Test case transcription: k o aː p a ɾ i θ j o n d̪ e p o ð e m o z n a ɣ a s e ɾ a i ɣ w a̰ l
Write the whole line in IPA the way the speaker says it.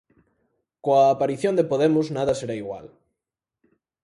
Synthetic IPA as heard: k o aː p a ɾ i θ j o n d̪ e p o ð e m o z n a ð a s e ɾ a i ɣ w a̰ l